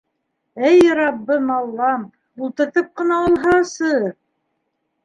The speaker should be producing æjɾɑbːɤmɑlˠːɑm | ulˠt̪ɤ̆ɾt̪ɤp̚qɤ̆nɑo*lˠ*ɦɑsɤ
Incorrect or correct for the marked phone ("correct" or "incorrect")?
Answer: correct